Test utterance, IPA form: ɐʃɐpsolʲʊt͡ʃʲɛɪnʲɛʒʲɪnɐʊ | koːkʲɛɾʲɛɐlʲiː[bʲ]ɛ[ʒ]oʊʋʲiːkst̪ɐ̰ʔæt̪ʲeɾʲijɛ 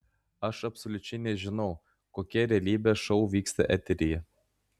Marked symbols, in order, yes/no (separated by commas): yes, no